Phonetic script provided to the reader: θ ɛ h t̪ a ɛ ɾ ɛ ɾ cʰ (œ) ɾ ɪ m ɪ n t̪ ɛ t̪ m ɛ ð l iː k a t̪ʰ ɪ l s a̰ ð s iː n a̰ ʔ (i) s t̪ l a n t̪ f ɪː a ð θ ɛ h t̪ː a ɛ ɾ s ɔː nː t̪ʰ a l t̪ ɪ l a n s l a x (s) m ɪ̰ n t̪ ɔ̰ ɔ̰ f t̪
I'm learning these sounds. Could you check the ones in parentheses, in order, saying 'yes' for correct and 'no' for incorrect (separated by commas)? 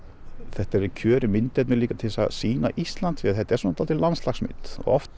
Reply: no, yes, yes